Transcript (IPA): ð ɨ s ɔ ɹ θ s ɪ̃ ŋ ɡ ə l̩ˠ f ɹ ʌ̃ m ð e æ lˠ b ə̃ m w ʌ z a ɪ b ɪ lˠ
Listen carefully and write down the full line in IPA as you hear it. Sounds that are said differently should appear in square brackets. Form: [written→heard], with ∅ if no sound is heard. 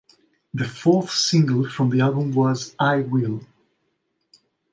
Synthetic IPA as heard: ð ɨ [s→f] ɔ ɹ θ s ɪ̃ ŋ ɡ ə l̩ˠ f ɹ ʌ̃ m ð [e→i] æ lˠ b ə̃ m w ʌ z a ɪ [b→w] ɪ lˠ